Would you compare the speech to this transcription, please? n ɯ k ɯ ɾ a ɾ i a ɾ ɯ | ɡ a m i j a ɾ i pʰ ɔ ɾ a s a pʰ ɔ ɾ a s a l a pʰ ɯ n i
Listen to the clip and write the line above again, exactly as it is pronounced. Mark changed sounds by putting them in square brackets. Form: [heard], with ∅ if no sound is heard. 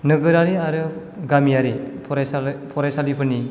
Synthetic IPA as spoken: n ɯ [ɡ] ɯ ɾ a ɾ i a ɾ ɯ | ɡ a m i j a ɾ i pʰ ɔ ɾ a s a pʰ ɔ ɾ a s a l [i] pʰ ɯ n i